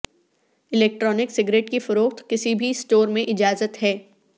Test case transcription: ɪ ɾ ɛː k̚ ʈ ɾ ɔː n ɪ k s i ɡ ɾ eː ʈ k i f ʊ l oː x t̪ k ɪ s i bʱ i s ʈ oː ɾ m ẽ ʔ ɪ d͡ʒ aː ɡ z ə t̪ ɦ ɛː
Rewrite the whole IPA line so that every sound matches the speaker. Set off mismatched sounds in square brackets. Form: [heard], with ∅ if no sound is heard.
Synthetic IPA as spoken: ɪ [l] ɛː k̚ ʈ ɾ ɔː n ɪ k s [ɪ] ɡ ɾ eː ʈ k i f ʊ [ɾ] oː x t̪ k ɪ s i bʱ i s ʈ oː ɾ m ẽ ʔ ɪ d͡ʒ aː [∅] z ə t̪ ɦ ɛː